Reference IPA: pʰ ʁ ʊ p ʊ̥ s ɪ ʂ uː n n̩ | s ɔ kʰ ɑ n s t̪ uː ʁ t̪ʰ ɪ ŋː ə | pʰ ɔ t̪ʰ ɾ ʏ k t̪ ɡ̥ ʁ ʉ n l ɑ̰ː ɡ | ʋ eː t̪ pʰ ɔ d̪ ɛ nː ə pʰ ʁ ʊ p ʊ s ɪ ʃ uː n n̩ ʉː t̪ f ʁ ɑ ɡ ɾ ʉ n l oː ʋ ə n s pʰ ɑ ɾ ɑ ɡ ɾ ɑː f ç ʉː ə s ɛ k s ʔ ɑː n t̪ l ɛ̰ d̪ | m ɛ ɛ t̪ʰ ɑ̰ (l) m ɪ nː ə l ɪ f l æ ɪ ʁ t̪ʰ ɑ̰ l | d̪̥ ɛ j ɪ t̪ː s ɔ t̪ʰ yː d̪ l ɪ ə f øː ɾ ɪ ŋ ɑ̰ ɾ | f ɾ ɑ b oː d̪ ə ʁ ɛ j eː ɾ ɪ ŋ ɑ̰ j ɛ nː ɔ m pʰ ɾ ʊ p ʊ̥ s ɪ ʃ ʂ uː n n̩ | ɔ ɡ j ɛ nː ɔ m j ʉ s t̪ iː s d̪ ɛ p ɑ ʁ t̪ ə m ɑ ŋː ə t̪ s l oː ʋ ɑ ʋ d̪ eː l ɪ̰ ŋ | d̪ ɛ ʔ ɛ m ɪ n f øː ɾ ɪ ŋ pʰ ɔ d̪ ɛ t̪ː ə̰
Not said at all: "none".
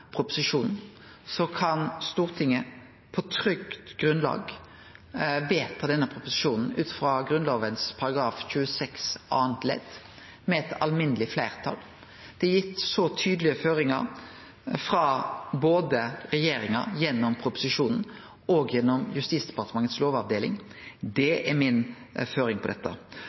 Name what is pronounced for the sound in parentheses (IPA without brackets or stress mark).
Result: l